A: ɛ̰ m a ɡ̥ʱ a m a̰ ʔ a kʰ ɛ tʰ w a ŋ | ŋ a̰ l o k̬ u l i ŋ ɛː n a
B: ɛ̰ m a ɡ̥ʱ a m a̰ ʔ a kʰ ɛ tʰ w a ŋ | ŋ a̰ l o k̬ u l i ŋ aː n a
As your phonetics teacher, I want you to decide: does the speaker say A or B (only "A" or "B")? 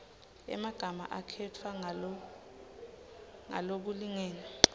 A